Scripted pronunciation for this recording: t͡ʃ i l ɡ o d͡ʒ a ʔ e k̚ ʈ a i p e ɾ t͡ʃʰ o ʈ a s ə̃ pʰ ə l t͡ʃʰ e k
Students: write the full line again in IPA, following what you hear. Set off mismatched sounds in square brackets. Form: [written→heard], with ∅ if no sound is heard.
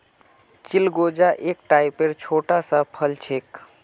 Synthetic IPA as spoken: t͡ʃ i l ɡ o d͡ʒ a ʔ e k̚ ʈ a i p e ɾ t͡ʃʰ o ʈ a s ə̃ pʰ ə l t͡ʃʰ e k